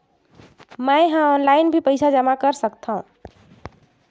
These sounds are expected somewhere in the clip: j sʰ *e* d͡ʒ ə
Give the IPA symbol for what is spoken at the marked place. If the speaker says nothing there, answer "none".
a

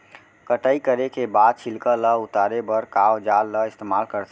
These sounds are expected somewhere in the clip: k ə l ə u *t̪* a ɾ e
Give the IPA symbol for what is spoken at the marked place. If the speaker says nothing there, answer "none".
t̪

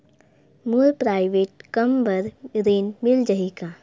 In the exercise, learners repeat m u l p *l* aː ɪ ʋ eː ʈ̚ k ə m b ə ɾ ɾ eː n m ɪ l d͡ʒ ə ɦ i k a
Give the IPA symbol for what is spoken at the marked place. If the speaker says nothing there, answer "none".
ɾ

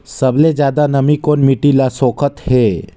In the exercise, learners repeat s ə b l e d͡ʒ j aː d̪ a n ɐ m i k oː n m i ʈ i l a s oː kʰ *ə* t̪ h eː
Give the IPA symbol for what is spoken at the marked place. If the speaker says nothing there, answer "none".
ə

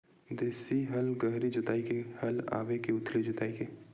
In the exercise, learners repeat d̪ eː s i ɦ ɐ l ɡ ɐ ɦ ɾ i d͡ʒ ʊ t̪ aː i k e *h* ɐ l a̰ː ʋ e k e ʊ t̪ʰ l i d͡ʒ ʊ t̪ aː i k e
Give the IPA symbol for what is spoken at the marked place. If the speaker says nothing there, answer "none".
h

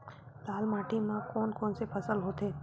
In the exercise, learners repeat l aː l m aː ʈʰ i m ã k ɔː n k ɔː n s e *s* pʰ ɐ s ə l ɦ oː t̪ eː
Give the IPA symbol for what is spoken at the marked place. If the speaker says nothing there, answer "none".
none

